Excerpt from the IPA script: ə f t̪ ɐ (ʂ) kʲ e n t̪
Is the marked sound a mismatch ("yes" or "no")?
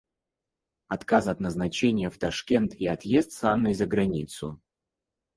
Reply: no